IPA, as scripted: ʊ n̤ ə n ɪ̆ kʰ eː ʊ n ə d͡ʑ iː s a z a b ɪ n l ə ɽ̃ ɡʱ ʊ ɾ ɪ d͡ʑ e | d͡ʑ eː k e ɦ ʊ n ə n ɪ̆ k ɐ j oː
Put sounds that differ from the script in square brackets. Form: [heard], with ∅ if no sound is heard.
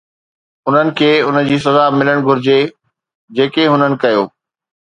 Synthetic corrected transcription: ʊ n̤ ə n ɪ̆ kʰ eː ʊ n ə d͡ʑ iː s [ɐ] z a [m] ɪ [∅] l ə ɽ̃ ɡʱ ʊ ɾ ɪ d͡ʑ e | d͡ʑ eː k e ɦ ʊ n ə n ɪ̆ k ɐ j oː